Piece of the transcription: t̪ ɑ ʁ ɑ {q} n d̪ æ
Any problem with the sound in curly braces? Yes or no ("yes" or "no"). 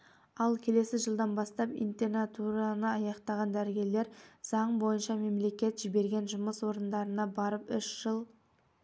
yes